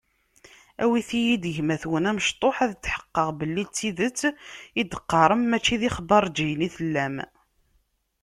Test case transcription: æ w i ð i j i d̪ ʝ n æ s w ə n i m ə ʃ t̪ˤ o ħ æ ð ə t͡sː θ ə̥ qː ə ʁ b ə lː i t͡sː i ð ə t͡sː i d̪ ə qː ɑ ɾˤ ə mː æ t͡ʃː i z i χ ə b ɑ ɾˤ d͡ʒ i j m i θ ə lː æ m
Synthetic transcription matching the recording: æ w i θ i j i d̪ ʝ m æ θ w ə n æ m ə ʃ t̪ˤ o ħ æ ð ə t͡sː ħ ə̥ qː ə ʁ b ə lː i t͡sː i ð ə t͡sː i d̪ ə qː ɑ ɾˤ ə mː æ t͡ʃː i ð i χ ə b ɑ ɾˤ d͡ʒ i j n i θ ə lː æ m

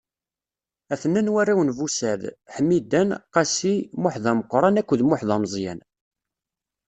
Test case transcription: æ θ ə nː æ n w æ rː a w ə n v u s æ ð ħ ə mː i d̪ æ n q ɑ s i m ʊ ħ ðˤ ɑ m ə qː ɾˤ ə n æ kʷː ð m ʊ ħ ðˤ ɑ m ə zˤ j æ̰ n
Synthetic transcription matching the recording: æ θ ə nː æ n w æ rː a w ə n v u s æ ð ħ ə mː i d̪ æ n q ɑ s i m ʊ ħ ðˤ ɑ m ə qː ɾˤ ɑ n æ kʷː ð m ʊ ħ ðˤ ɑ m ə zˤ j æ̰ n

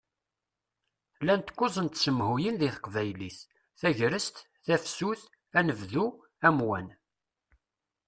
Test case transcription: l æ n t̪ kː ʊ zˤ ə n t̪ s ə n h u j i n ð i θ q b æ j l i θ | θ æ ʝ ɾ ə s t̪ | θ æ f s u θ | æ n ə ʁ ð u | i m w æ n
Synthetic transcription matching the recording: l æ n t̪ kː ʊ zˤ ə n t̪ s ə m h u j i n ð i θ q v æ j l i θ | θ æ ʝ ɾ ə s t̪ | θ æ f s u θ | æ n ə v ð u | æ m w æ n

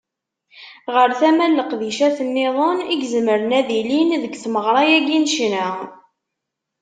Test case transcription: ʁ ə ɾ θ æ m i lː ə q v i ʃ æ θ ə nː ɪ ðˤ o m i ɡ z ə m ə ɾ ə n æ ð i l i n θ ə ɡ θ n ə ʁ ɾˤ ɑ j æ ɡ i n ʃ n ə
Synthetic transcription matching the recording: ʁ ə ɾ θ æ m æ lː ə q ð i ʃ æ θ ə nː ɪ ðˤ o n i ɡ z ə m ə ɾ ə n æ ð i l i n ð ə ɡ θ m ə ʁ ɾˤ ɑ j æ ɡ i n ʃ n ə

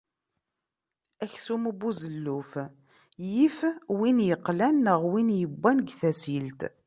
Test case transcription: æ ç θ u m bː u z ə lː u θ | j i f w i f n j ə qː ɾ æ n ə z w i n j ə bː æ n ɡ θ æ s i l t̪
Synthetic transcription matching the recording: æ ç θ u m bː u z ə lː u f | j i f w i n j ə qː l æ n ə ʁ w i n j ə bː æ n ɡ θ æ s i l t̪

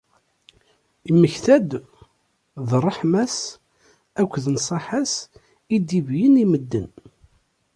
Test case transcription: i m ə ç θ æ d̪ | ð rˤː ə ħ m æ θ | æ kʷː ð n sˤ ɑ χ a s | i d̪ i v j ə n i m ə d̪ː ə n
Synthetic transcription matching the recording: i m ə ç θ æ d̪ | ð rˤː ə ħ m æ s | æ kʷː ð n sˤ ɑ ħ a s | i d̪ i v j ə n i m ə d̪ː ə n

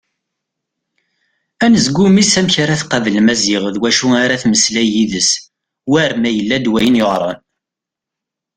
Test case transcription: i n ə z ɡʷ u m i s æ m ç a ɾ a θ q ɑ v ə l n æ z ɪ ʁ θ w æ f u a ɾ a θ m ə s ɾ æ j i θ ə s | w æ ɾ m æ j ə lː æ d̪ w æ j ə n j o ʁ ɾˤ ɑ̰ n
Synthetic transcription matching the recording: æ n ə z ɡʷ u m i s æ m ç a ɾ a θ q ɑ v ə l m æ z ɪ ʁ ð w æ ʃ u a ɾ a θ m ə s l æ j i ð ə s | w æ ɾ m æ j ə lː æ d̪ w æ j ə n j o ʁ ɾˤ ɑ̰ n

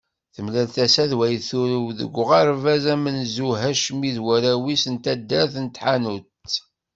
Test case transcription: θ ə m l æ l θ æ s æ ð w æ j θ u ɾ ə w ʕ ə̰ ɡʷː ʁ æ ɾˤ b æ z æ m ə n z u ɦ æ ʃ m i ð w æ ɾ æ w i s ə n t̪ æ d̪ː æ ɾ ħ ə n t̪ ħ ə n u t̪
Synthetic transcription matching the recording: θ ə m l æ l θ æ s æ ð w æ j θ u ɾ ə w ð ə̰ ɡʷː ʁ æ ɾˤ v æ z æ m ə n z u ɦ æ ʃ m i ð w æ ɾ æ w i s ə n t̪ æ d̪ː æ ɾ θ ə n t̪ ħ a n u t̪

